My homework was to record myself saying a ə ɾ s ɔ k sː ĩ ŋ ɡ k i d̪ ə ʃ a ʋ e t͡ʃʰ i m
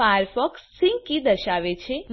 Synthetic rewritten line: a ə ɾ f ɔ k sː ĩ ŋ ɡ k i d̪ ə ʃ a ʋ e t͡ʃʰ e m